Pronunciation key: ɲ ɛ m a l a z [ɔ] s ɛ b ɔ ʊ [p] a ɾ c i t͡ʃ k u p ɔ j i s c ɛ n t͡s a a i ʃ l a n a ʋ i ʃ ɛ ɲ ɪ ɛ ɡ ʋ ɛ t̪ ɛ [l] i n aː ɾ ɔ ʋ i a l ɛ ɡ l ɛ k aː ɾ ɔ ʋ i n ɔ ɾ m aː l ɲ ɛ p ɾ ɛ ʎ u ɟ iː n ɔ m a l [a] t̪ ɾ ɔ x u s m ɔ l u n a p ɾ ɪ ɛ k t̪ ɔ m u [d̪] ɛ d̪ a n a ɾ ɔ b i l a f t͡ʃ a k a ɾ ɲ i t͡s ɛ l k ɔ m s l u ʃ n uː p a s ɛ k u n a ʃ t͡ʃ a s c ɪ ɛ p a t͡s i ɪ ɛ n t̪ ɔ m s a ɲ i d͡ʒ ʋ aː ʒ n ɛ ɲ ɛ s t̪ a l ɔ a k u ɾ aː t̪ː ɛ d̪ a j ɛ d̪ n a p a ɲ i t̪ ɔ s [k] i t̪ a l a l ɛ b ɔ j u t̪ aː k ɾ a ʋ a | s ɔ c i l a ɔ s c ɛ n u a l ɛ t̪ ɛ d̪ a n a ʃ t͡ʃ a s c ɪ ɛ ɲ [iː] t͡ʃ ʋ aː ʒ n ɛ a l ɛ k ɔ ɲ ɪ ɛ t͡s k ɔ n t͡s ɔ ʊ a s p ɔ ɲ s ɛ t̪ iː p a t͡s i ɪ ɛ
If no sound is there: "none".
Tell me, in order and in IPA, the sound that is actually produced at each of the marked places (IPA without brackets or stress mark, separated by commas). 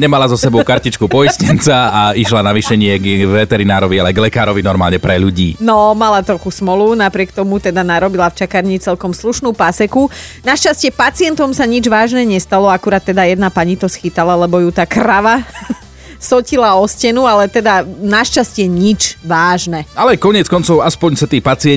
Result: ɔ, k, ɾ, a, t̪, x, i